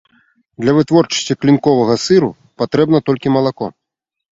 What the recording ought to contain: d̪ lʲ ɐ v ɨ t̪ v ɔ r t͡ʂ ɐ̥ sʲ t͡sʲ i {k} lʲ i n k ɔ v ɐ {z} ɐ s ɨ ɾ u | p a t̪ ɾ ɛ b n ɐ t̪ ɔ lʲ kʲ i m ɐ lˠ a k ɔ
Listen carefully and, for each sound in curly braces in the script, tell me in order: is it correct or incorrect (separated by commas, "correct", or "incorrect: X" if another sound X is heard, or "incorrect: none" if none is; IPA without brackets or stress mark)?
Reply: correct, incorrect: ɣ